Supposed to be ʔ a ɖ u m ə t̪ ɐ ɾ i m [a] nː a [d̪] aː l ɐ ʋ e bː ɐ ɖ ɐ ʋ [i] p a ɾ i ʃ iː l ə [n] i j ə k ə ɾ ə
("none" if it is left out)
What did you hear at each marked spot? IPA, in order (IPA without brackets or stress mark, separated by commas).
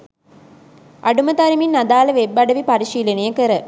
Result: i, d̪, i, n